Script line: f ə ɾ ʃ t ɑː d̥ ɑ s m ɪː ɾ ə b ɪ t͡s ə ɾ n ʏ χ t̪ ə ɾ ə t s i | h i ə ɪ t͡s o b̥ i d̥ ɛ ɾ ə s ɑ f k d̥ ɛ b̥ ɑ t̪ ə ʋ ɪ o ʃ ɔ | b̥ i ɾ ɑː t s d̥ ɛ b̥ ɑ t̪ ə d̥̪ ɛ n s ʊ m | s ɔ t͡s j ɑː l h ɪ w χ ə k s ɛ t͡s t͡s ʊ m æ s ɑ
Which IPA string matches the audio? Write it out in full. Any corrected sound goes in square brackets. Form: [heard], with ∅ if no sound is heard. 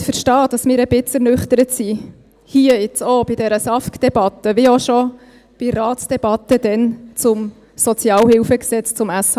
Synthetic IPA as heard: f ə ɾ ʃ t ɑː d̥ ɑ s m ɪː ɾ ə b ɪ t͡s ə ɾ n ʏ χ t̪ ə ɾ ə t s i | h i ə ɪ t͡s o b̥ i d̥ ɛ ɾ ə s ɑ f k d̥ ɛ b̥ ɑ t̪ ə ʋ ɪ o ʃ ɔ | b̥ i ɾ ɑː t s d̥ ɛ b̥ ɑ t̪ ə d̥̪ ɛ n [t͡s] ʊ m | s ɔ t͡s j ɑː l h ɪ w [f] ə k s ɛ t͡s t͡s ʊ m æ s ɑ